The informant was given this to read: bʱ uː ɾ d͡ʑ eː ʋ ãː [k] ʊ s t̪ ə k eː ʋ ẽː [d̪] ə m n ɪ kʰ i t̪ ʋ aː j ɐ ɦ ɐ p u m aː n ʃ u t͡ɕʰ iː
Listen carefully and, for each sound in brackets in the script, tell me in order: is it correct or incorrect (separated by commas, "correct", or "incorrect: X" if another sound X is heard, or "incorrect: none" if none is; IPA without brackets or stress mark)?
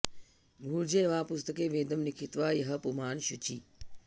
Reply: incorrect: p, correct